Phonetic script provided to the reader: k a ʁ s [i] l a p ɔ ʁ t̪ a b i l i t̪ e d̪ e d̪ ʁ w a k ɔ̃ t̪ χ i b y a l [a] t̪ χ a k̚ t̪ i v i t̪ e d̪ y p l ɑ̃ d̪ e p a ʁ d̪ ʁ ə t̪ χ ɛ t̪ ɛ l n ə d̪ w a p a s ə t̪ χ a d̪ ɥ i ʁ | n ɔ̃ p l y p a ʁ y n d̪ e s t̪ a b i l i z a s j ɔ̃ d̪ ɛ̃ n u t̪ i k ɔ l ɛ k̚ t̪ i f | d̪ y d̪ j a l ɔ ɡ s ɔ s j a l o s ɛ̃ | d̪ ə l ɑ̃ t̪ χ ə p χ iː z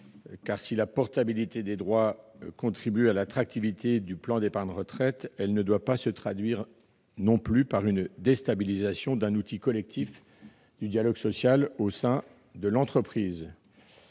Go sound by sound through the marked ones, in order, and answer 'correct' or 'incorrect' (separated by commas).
correct, correct